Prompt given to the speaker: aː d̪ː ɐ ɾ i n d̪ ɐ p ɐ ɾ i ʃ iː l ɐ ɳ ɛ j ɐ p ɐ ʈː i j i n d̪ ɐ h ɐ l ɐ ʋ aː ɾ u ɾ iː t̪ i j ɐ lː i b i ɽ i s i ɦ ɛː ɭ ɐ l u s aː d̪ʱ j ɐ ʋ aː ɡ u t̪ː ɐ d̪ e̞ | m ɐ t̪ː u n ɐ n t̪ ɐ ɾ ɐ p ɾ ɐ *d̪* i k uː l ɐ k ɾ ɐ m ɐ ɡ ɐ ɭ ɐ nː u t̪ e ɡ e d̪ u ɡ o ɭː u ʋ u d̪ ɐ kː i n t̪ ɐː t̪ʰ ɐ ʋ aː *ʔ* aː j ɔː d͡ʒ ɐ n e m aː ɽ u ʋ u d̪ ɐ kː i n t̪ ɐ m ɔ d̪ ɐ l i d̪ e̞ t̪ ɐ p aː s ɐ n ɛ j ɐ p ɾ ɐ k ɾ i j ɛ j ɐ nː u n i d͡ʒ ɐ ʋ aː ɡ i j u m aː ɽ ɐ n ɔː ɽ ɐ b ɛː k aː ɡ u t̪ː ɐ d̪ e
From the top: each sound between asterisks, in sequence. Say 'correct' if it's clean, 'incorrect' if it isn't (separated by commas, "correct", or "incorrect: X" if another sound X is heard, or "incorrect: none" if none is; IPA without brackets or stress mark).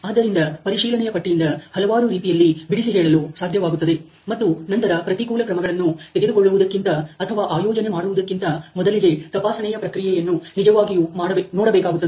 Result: incorrect: t̪, correct